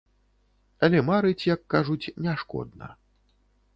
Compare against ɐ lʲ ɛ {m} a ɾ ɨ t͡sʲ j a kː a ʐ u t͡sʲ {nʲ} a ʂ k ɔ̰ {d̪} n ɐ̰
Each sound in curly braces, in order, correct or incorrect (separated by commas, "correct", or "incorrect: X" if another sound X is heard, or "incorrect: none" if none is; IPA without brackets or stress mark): correct, correct, correct